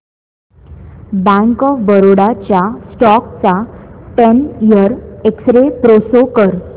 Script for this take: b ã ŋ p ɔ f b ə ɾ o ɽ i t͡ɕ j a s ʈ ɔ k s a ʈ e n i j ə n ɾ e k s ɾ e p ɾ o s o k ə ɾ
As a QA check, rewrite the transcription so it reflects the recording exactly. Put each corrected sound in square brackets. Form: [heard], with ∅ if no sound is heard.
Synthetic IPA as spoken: b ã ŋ [k] ɔ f b ə ɾ o ɽ [a] t͡ɕ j a s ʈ ɔ k [t͡s] a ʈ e n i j ə [∅] ɾ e k s ɾ e p ɾ o s o k ə ɾ